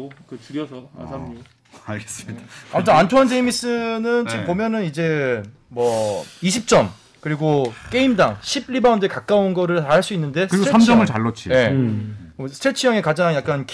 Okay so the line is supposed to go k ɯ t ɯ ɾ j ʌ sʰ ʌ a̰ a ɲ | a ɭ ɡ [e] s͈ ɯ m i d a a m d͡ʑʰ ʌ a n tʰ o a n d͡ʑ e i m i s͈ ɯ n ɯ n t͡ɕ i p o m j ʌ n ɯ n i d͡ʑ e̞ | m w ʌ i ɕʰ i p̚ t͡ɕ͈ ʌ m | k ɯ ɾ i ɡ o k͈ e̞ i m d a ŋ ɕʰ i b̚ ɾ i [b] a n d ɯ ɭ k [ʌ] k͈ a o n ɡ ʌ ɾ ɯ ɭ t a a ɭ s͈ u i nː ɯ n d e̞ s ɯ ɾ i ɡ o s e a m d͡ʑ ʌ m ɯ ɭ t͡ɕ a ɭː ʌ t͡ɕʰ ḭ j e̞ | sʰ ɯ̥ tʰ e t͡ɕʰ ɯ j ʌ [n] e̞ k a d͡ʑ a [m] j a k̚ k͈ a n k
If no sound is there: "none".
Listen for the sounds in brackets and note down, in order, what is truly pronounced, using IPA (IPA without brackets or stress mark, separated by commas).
e, b, a, ŋ, ŋ